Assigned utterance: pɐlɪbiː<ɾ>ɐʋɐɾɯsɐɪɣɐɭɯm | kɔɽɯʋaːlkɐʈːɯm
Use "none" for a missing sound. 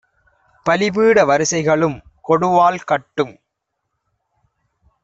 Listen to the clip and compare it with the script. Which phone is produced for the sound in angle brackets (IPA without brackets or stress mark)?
ɽ